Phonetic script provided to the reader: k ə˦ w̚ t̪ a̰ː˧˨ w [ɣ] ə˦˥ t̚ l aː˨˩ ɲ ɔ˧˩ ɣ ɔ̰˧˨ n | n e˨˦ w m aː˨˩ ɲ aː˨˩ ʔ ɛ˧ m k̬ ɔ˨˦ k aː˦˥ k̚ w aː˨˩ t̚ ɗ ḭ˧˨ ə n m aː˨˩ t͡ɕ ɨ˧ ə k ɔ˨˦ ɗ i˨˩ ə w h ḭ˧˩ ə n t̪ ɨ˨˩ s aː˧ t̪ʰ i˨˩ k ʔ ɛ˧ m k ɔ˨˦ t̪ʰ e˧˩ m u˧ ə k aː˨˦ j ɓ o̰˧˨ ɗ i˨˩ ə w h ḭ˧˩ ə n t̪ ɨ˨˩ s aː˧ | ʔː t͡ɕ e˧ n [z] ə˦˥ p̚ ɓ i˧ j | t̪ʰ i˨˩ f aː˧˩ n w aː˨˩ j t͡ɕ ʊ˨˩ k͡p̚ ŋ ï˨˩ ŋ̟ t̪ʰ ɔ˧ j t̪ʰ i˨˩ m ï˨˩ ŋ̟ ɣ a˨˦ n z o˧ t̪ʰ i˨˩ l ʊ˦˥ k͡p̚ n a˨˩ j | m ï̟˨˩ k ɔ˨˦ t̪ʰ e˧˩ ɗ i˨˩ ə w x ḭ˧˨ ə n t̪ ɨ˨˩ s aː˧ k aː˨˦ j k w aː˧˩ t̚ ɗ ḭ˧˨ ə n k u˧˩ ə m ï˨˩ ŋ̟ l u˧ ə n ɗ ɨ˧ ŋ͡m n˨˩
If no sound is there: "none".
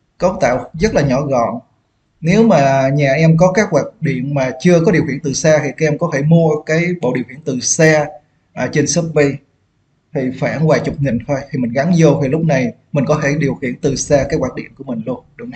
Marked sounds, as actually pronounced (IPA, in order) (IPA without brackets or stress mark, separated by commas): z, s